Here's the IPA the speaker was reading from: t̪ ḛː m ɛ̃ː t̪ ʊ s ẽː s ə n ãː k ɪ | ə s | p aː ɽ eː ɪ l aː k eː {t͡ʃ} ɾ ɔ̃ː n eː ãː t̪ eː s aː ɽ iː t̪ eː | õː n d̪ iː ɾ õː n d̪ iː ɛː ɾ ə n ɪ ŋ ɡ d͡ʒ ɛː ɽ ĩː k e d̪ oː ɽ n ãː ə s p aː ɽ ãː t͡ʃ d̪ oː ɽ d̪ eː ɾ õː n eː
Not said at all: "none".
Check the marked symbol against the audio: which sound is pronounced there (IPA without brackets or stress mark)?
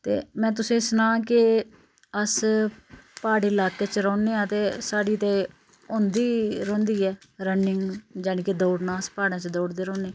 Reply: t͡ʃ